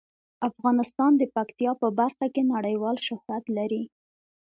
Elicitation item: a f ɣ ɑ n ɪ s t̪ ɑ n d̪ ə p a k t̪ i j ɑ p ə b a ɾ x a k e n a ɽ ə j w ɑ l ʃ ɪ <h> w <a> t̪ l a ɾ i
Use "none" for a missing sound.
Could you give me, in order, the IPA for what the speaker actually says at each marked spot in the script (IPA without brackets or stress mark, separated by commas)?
h, a